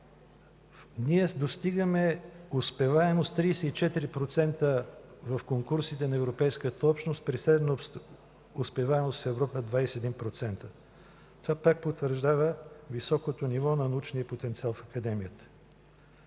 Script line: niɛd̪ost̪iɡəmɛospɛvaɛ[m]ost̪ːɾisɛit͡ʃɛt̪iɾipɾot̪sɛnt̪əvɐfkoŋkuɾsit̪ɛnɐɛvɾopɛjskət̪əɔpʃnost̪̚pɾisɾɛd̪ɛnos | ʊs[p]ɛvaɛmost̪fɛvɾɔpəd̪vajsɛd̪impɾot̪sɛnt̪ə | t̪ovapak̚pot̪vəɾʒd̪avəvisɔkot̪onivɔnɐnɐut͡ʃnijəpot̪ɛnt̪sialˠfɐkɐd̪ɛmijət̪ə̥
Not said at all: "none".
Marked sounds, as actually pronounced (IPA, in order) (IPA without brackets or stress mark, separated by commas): m, p